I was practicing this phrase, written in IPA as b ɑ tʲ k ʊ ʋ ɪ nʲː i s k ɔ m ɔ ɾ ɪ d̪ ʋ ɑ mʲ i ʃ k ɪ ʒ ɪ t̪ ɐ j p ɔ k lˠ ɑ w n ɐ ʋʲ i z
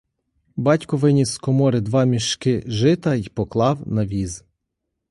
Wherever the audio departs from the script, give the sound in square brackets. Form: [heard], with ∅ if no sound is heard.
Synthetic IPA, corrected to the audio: b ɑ tʲ k ʊ ʋ ɪ [nʲ] i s k ɔ m ɔ ɾ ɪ d̪ ʋ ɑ mʲ i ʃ k ɪ ʒ ɪ t̪ ɐ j p ɔ k lˠ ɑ w n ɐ ʋʲ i z